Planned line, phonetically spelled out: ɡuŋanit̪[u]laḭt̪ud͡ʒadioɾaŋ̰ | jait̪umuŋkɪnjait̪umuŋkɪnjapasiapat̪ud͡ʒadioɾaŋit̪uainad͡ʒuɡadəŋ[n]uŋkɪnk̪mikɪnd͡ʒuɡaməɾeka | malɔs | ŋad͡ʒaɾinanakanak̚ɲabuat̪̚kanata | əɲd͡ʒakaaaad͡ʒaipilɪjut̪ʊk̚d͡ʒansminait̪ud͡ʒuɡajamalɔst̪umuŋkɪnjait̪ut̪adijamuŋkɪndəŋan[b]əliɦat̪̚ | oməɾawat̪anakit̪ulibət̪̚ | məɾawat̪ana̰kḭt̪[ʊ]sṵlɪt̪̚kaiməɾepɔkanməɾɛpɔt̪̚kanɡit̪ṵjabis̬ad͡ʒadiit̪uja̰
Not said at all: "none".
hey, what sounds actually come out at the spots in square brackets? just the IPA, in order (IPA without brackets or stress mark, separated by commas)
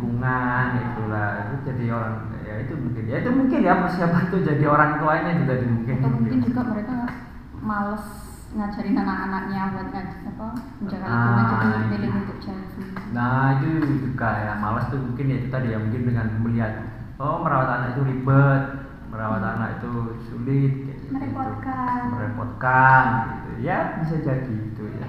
u, m, m, u